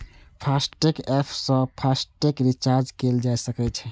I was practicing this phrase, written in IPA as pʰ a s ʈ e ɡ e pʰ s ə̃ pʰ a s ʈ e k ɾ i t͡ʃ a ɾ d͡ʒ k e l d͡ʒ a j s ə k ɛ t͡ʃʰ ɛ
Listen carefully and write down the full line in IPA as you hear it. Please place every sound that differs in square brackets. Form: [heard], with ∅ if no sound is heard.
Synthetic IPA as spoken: pʰ a s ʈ e [k] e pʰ s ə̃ pʰ a s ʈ e k ɾ i t͡ʃ a ɾ d͡ʒ k e l d͡ʒ a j s ə k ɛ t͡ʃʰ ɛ